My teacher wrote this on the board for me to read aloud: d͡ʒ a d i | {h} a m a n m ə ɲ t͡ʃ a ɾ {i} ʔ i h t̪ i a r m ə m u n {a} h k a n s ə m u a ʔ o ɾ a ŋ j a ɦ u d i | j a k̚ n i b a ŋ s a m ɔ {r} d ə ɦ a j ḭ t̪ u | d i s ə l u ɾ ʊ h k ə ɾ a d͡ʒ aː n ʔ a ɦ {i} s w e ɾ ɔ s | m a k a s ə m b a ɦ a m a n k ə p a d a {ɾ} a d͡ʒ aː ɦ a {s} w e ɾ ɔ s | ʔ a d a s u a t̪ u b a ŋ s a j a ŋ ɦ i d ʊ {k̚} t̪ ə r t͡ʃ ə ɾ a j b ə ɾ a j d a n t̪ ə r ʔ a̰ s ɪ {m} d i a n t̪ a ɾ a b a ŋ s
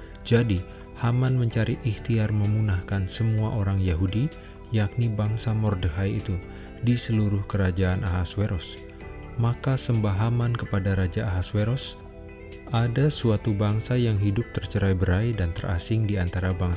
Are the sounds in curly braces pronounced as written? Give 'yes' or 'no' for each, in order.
yes, yes, yes, yes, no, yes, yes, no, no

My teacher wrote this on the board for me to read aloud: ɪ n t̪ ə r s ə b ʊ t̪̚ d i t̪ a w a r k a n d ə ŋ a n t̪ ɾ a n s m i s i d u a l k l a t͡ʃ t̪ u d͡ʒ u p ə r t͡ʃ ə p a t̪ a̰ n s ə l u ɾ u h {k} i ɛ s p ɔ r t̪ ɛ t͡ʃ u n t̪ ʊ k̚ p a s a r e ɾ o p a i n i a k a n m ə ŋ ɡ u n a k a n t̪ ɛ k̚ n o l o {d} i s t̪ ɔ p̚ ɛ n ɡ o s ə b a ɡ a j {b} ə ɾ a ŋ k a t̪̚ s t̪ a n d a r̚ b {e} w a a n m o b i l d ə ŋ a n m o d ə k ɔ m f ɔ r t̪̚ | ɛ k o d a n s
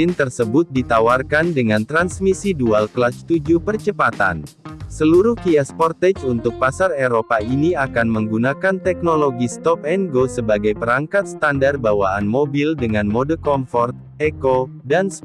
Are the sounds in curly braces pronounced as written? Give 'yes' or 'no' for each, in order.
yes, no, no, no

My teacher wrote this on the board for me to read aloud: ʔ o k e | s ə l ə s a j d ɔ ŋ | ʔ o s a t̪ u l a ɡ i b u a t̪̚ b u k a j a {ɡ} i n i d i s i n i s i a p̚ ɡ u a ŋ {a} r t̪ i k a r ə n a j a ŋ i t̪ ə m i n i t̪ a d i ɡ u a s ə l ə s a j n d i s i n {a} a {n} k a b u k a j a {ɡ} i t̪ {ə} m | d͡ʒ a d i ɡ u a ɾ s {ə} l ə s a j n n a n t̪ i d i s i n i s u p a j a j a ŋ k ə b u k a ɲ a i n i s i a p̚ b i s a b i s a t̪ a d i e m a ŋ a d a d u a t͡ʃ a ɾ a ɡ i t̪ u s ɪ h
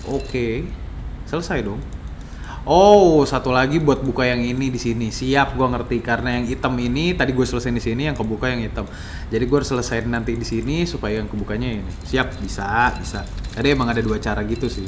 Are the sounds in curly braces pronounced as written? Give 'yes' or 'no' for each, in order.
no, no, no, no, no, yes, yes

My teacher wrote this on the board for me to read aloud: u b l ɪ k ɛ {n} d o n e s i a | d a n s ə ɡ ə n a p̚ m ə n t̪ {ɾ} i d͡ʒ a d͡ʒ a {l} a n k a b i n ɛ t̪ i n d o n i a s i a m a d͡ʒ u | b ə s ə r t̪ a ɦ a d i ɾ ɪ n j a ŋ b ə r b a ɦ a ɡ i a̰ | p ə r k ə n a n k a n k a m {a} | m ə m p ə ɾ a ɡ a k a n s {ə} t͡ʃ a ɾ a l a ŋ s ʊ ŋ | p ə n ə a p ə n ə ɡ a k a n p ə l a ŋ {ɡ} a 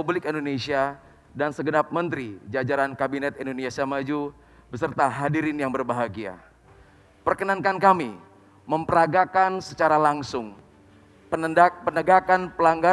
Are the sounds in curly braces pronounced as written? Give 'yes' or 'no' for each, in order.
yes, yes, no, no, yes, yes

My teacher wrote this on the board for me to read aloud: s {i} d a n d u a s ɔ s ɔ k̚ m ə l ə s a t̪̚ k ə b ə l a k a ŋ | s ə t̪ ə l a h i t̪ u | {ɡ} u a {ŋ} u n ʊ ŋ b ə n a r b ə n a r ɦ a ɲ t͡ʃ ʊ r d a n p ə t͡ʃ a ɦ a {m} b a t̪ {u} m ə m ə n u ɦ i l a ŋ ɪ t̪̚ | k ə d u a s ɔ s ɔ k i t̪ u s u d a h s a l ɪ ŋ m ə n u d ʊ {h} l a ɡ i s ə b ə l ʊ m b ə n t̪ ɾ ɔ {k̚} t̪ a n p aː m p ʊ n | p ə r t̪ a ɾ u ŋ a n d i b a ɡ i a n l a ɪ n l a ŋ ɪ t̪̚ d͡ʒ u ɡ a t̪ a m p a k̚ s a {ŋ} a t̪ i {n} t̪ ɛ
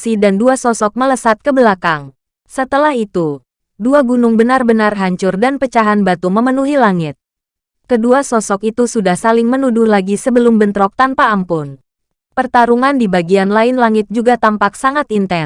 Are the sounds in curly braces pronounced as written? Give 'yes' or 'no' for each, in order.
yes, no, no, no, yes, yes, yes, yes, yes

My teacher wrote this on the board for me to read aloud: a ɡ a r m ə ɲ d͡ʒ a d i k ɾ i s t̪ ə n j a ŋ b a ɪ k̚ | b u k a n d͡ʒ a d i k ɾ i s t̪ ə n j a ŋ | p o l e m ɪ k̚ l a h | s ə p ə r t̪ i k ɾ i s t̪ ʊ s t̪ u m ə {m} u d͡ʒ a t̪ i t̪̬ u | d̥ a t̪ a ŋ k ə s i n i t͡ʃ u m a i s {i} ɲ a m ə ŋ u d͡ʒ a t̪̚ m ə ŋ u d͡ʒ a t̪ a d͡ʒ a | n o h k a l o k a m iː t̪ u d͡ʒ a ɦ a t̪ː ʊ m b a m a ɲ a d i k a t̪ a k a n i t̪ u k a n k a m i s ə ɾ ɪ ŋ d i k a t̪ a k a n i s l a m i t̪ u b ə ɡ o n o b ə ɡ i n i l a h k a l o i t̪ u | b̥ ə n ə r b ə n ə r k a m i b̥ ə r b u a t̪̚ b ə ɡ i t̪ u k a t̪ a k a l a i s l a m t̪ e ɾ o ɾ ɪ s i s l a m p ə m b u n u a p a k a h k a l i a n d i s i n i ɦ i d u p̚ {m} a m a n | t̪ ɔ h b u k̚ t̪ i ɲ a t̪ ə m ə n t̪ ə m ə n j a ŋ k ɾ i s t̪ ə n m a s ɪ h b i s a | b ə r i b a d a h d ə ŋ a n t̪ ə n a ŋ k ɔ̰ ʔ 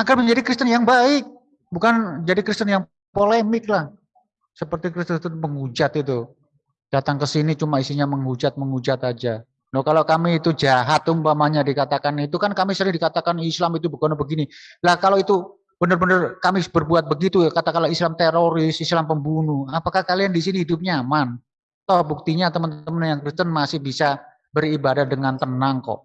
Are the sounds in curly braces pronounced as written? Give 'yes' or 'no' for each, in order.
no, yes, no

